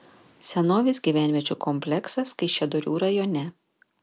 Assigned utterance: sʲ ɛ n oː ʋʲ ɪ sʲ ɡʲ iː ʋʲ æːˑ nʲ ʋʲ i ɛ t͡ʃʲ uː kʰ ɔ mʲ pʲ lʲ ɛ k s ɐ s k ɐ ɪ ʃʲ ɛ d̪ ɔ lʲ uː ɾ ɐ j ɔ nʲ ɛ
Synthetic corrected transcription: sʲ ɛ n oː ʋʲ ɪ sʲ ɡʲ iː ʋʲ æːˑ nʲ ʋʲ i ɛ t͡ʃʲ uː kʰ ɔ mʲ pʲ lʲ ɛ k s ɐ s k ɐ ɪ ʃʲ ɛ d̪ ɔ ɾʲ uː ɾ ɐ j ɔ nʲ ɛ

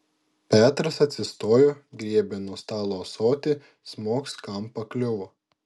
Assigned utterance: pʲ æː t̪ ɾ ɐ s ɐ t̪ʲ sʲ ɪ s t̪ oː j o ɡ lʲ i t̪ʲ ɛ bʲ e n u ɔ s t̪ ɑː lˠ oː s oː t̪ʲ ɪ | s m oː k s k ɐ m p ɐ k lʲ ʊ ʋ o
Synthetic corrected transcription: pʲ æː t̪ ɾ ɐ s ɐ t̪ʲ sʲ ɪ s t̪ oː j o ɡ ɾʲ i ɛ bʲ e n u ɔ s t̪ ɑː lˠ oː s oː t̪ʲ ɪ | s m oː k s k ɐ m p ɐ k lʲ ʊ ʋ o

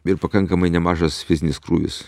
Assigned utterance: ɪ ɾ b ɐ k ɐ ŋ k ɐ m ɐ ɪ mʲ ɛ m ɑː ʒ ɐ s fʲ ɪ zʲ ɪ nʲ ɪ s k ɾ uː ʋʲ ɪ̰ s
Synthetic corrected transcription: ɪ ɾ p ɐ k ɐ ŋ k ɐ m ɐ ɪ nʲ ɛ m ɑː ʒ ɐ s fʲ ɪ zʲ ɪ nʲ ɪ s k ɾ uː ʋʲ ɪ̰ s

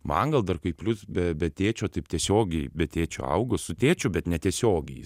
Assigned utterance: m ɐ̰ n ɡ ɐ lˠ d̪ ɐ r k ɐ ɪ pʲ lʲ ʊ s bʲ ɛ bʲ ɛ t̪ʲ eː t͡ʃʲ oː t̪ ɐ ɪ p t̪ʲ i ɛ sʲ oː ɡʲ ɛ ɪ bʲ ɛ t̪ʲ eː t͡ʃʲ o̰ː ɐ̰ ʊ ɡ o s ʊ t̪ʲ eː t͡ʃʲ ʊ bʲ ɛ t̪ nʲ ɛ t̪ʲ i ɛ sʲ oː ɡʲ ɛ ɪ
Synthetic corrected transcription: m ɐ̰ ŋ ɡ ɐ lˠ d̪ ɐ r k ɐ ɪ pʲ lʲ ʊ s bʲ ɛ bʲ ɛ t̪ʲ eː t͡ʃʲ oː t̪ ɐ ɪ p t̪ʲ i ɛ sʲ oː ɡʲ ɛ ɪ bʲ ɛ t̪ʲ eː t͡ʃʲ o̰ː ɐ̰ ʊ ɡ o s ʊ t̪ʲ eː t͡ʃʲ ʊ bʲ ɛ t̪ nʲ ɛ t̪ʲ i ɛ sʲ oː ɡʲ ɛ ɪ

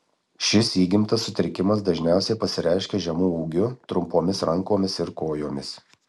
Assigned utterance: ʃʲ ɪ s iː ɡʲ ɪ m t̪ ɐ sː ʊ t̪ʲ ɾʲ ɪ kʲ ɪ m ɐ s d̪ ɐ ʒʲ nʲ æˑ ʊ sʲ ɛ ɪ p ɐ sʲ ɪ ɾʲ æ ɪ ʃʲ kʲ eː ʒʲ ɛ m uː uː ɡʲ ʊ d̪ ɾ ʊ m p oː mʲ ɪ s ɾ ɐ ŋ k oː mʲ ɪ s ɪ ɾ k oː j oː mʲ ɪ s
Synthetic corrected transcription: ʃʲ ɪ s iː ɡʲ ɪ m t̪ ɐ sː ʊ t̪ʲ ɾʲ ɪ kʲ ɪ m ɐ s d̪ ɐ ʒʲ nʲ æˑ ʊ sʲ ɛ ɪ p ɐ sʲ ɪ ɾʲ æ ɪ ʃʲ kʲ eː ʒʲ ɛ m uː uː ɡʲ ʊ t̪ ɾ ʊ m p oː mʲ ɪ s ɾ ɐ ŋ k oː mʲ ɪ s ɪ ɾ k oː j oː mʲ ɪ s

